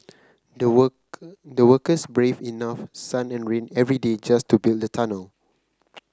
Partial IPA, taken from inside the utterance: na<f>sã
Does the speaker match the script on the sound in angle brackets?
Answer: yes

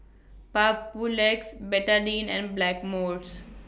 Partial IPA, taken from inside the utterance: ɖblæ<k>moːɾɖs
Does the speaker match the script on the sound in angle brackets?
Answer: yes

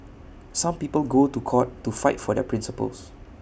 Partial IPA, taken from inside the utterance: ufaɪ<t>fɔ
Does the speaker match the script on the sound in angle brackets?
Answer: yes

